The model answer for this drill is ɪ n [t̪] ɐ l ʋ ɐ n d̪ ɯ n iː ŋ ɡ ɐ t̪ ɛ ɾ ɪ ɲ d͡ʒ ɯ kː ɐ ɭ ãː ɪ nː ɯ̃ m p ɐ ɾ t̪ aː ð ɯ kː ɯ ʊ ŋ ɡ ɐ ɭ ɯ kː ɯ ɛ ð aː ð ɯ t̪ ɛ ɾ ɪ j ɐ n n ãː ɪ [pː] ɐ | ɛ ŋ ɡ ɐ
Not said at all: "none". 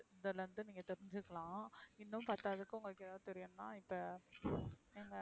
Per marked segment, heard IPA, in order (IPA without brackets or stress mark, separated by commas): d̪, pː